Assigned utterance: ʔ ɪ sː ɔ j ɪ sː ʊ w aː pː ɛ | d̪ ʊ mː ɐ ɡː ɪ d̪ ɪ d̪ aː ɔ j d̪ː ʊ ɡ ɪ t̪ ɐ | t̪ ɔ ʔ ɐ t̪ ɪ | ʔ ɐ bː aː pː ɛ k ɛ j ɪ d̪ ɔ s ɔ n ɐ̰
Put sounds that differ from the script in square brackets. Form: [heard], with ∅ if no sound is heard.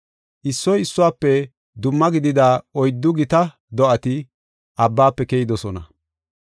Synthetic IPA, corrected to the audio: ʔ ɪ sː ɔ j ɪ sː ʊ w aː pː ɛ | d̪ ʊ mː ɐ [ɡ] ɪ d̪ ɪ d̪ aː ɔ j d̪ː ʊ ɡ ɪ t̪ ɐ | [d̪] ɔ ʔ ɐ t̪ ɪ | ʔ ɐ bː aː pː ɛ k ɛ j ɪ d̪ ɔ s ɔ n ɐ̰